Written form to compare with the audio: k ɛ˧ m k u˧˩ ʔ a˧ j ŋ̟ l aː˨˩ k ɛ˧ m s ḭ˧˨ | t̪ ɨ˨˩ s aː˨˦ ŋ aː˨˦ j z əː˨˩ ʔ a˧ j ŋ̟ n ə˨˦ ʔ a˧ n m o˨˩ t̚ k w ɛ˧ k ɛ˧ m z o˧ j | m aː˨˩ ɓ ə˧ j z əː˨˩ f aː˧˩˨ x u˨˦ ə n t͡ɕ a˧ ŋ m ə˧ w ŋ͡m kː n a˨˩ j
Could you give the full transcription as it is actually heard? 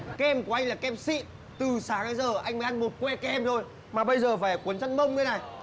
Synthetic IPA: k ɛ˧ m k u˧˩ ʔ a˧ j ŋ̟ l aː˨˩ k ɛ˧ m s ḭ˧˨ | t̪ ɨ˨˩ s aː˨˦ ŋ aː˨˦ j z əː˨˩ ʔ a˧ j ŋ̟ m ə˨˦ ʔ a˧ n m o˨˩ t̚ k w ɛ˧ k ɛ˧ m z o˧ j | m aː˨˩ ɓ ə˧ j z əː˨˩ f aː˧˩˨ k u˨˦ ə n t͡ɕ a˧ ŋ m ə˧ w ŋ͡m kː n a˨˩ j